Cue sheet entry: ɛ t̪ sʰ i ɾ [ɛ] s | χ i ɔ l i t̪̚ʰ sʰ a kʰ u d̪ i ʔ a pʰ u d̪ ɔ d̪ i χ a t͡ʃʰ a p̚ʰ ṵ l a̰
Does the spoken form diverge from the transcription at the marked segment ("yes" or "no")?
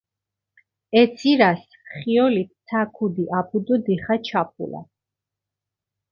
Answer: yes